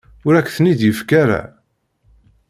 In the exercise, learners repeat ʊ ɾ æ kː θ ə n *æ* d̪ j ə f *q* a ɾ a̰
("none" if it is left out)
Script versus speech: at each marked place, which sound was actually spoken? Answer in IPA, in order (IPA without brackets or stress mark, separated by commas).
i, k